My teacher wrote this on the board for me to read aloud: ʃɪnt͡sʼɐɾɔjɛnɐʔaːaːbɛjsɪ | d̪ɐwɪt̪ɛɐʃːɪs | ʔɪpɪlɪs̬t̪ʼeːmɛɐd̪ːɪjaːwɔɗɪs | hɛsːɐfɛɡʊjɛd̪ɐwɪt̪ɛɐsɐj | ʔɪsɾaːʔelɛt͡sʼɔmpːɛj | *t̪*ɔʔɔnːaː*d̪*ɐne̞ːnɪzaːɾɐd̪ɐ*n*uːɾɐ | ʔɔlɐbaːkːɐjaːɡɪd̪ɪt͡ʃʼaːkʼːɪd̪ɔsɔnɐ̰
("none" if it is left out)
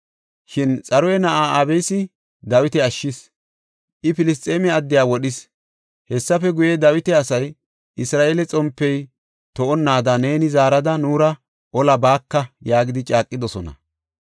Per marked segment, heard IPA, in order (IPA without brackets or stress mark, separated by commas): t̪, d̪, n